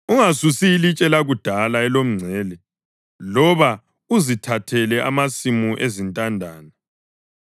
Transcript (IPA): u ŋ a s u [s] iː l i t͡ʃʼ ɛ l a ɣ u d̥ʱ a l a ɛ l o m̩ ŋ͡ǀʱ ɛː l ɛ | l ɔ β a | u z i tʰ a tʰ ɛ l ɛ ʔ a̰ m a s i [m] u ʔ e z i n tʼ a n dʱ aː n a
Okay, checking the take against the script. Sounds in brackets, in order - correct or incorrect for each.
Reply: correct, correct

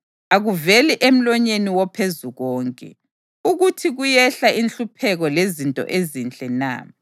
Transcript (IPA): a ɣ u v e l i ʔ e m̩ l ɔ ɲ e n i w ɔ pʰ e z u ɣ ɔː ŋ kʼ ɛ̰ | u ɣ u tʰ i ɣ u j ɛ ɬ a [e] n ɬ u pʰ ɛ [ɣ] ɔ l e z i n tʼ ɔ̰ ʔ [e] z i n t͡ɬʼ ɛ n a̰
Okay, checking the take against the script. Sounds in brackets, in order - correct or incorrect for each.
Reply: incorrect: i, correct, correct

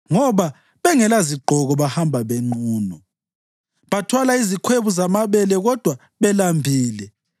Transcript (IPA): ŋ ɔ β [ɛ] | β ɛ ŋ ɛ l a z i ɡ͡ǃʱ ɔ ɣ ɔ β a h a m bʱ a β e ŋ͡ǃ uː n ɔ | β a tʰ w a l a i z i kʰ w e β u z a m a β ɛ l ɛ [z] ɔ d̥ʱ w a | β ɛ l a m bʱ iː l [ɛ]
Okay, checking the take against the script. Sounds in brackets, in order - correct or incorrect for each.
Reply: incorrect: a, incorrect: ɣ, correct

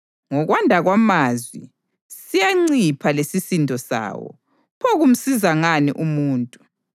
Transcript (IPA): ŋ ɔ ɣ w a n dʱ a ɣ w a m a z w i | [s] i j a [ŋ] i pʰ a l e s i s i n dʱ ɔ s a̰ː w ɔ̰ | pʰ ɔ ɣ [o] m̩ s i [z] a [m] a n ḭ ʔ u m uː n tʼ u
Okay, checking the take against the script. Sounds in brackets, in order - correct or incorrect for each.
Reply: correct, incorrect: ŋ͡ǀ, incorrect: u, correct, incorrect: ŋ

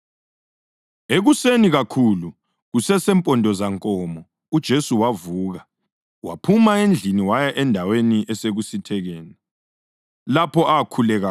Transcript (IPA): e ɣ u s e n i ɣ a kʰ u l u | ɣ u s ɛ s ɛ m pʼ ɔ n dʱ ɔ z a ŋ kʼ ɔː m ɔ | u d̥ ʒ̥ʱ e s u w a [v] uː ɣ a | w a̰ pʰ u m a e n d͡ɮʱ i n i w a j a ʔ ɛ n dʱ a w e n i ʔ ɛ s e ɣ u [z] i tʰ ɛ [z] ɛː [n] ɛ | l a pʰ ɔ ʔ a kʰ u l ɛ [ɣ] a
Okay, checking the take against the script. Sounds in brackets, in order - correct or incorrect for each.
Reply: correct, incorrect: s, incorrect: ɣ, correct, correct

